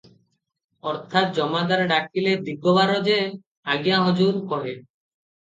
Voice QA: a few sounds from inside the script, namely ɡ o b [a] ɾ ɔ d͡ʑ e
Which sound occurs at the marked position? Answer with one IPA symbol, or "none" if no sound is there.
a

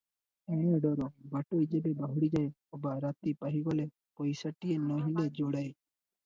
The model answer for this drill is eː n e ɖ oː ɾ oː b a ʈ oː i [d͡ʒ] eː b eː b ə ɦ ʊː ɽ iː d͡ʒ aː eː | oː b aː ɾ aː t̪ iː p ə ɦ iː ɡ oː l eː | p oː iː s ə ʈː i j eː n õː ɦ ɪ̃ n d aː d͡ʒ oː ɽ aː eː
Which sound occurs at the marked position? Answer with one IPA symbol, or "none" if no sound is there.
d͡ʒ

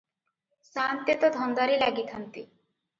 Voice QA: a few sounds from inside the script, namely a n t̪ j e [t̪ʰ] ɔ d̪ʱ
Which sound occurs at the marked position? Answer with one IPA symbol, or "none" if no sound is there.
t̪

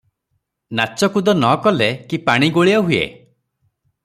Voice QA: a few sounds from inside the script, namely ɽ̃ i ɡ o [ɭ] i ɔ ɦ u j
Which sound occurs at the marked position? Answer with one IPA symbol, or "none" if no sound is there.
ɭ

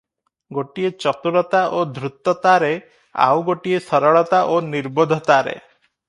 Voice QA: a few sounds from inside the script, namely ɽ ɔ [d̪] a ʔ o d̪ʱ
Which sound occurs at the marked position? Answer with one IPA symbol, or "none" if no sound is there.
t̪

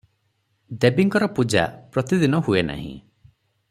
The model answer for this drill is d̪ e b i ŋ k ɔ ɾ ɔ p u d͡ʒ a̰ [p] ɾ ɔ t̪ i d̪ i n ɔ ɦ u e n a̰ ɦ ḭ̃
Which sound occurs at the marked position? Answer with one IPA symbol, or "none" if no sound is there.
p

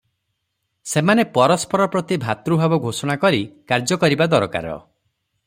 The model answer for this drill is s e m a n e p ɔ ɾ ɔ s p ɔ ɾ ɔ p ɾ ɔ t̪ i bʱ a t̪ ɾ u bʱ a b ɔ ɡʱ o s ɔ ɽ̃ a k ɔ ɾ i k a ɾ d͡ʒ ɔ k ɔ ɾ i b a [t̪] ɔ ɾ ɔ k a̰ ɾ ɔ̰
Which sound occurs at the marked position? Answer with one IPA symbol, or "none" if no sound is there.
d̪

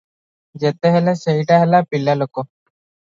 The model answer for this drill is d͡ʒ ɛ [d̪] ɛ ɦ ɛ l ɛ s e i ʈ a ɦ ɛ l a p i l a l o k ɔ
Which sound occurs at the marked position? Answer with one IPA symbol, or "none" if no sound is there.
t̪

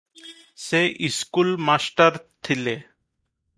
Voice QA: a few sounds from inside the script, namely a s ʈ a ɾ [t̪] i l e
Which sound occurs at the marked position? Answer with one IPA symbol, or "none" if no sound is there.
t̪ʰ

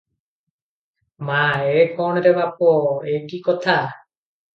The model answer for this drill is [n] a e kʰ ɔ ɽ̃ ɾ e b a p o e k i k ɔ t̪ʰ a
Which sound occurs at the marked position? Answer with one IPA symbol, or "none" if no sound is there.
m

